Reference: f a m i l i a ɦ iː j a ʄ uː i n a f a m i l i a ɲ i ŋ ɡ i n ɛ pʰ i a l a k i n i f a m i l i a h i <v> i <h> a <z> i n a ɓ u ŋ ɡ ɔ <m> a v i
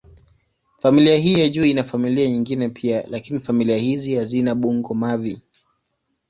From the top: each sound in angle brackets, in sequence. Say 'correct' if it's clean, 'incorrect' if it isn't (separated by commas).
incorrect, correct, correct, correct